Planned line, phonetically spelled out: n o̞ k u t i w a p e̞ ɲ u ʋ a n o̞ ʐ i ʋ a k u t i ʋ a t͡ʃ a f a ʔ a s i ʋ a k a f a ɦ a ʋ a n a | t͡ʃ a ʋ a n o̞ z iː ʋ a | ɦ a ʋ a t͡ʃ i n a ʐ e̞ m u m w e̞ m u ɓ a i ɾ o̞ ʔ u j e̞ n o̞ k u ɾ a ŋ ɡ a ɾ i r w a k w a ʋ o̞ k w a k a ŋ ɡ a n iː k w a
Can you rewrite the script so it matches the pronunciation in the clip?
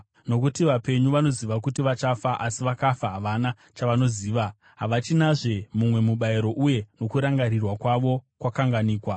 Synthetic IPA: n o̞ k u t i ʋ a p e̞ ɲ u ʋ a n o̞ z i ʋ a k u t i ʋ a t͡ʃ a f a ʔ a s i ʋ a k a f a ɦ a ʋ a n a | t͡ʃ a ʋ a n o̞ z iː ʋ a | ɦ a ʋ a t͡ʃ i n a ʐ e̞ m u m w e̞ m u ɓ a i ɾ o̞ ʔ u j e̞ n o̞ k u ɾ a ŋ ɡ a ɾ i r w a k w a ʋ o̞ k w a k a ŋ ɡ a n iː k w a